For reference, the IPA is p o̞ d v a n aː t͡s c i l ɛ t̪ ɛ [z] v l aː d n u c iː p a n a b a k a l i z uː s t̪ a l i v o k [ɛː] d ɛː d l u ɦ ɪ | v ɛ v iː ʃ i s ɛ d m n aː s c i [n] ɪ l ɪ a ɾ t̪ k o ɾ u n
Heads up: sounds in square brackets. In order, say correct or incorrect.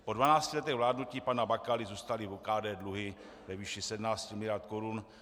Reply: incorrect: ɣ, incorrect: aː, incorrect: m

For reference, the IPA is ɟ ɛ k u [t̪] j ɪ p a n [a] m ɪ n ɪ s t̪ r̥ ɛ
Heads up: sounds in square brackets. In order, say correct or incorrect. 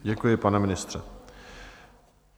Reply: incorrect: none, incorrect: ɛ

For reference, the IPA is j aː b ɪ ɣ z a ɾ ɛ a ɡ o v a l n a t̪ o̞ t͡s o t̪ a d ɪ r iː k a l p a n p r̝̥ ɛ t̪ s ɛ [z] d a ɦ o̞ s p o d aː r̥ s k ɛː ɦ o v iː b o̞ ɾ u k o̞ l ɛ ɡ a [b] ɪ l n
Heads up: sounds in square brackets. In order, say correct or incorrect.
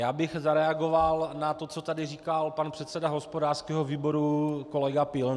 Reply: incorrect: none, incorrect: p

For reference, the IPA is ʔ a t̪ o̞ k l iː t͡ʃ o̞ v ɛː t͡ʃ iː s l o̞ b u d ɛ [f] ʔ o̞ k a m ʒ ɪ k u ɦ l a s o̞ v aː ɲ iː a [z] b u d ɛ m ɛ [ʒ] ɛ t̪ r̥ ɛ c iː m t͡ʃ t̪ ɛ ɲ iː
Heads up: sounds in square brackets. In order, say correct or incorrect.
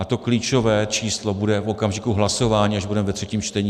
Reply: correct, incorrect: ʒ, incorrect: v

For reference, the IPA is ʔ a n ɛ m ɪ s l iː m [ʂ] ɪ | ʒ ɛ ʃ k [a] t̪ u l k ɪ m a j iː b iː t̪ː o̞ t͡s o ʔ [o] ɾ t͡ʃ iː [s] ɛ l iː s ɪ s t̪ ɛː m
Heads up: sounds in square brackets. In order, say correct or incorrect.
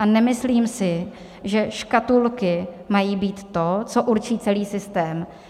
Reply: incorrect: s, correct, incorrect: u, incorrect: t͡s

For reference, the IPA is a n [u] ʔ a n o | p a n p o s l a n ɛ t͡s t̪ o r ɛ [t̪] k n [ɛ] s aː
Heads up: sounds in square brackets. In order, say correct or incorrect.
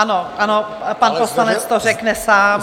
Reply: incorrect: o, incorrect: none, correct

